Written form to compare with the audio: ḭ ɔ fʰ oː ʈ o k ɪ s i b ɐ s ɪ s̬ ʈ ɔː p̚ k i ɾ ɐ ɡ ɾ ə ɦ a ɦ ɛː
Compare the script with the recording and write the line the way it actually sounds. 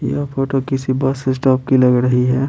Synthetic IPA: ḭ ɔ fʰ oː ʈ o k ɪ s i b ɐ s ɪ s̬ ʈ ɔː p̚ k i l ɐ ɡ ɾ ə ɦ i ɦ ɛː